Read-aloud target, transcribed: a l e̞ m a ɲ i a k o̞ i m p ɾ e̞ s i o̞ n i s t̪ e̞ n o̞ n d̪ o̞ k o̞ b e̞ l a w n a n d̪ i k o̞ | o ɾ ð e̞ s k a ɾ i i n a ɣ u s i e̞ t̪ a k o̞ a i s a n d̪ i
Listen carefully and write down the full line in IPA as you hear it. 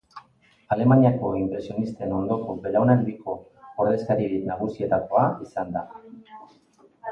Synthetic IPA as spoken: a l e̞ m a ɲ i a k o̞ i m p ɾ e̞ s i o̞ n i s t̪ e̞ n o̞ n d̪ o̞ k o̞ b e̞ l a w n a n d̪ i k o̞ | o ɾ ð e̞ s k a ɾ i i n a ɣ u s i e̞ t̪ a k o̞ a i s a n d̪ a